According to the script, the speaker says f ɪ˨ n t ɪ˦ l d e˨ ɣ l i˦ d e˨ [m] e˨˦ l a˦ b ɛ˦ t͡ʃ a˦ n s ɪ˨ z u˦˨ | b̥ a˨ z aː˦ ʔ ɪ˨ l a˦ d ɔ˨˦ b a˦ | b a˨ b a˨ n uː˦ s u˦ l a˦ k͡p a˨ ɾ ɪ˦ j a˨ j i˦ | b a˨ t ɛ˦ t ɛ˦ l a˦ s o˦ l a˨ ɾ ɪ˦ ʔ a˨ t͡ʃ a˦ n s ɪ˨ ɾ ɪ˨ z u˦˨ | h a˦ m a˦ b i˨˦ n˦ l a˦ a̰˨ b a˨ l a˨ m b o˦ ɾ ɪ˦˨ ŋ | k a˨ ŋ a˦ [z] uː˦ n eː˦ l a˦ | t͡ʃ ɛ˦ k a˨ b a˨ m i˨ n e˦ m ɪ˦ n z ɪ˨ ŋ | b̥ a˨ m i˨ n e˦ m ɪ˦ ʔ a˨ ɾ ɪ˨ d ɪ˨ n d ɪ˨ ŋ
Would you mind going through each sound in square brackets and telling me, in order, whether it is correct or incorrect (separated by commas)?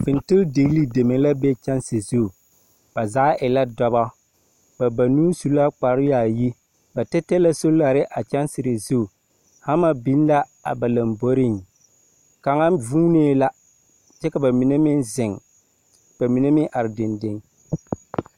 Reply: correct, incorrect